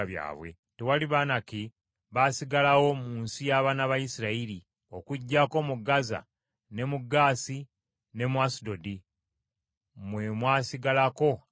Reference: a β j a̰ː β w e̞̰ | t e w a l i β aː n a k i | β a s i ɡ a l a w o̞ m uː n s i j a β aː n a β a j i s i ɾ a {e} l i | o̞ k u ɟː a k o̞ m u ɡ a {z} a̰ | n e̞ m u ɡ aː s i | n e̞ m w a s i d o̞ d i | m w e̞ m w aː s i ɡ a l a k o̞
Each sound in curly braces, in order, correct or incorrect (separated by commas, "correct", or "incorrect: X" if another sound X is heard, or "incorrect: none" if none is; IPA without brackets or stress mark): incorrect: i, correct